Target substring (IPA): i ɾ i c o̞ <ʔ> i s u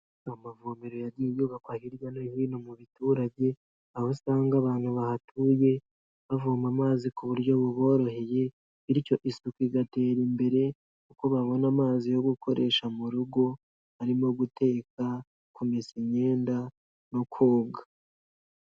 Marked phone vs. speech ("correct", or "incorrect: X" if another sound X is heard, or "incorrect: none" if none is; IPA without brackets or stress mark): correct